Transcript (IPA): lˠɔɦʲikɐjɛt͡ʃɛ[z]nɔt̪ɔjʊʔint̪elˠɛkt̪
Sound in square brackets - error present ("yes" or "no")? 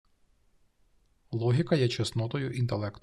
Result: yes